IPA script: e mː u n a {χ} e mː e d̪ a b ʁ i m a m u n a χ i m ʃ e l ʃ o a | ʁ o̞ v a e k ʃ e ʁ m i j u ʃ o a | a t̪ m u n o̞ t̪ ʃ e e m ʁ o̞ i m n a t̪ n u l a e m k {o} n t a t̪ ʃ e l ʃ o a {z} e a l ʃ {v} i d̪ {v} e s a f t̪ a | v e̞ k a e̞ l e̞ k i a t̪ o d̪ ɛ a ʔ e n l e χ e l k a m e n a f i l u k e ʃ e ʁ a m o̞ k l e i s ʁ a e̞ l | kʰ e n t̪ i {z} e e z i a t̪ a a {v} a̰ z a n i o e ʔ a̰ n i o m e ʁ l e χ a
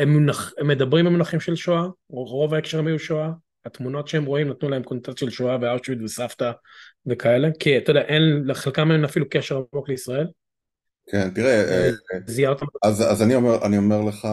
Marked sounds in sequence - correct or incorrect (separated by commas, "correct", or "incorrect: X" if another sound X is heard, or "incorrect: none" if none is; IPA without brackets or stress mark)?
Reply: correct, correct, incorrect: v, correct, correct, incorrect: ʁ, incorrect: z